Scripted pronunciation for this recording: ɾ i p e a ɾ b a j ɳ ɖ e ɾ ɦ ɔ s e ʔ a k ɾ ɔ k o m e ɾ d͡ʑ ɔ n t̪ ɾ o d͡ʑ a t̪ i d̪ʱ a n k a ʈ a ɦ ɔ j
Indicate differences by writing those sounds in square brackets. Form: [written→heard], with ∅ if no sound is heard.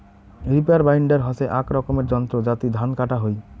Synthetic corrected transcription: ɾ i p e a ɾ b a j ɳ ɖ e ɾ ɦ ɔ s e ʔ a k ɾ ɔ k o m e ɾ d͡ʑ ɔ n t̪ ɾ o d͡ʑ a t̪ i d̪ʱ a n k a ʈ a ɦ [ɔ→o] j